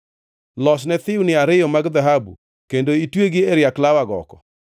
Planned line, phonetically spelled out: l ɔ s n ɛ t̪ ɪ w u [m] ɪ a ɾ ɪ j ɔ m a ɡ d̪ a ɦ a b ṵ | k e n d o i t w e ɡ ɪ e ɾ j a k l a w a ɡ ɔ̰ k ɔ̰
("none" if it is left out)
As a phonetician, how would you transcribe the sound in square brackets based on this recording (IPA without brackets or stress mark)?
n